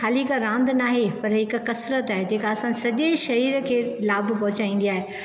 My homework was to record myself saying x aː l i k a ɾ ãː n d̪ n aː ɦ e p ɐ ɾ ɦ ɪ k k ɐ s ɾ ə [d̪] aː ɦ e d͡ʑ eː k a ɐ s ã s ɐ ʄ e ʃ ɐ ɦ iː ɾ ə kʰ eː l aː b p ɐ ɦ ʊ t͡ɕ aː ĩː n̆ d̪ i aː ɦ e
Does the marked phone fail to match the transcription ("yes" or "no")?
yes